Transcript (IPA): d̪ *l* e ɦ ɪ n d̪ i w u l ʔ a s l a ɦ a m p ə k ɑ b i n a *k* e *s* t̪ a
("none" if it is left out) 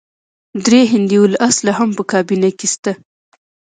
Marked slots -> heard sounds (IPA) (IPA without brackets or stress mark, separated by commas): ɾ, k, s